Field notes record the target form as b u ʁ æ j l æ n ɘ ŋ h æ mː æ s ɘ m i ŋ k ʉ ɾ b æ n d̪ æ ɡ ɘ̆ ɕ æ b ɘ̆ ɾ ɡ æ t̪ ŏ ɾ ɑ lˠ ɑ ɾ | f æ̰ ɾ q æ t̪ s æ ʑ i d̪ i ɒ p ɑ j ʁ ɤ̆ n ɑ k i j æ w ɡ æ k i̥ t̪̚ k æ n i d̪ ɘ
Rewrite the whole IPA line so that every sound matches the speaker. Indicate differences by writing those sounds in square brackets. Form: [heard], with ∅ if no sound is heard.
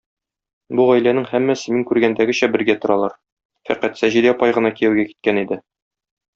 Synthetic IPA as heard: b u ʁ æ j l æ n ɘ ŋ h æ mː æ s ɘ m i ŋ k ʉ ɾ [ɡ] æ n d̪ æ ɡ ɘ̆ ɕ æ b ɘ̆ ɾ ɡ æ t̪ ŏ ɾ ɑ lˠ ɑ ɾ | f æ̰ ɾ q æ t̪ s æ ʑ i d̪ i ɒ p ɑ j ʁ ɤ̆ n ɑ k i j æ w ɡ æ k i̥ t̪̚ k æ n i d̪ ɘ